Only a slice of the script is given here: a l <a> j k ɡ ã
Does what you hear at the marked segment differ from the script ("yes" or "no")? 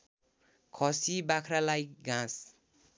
no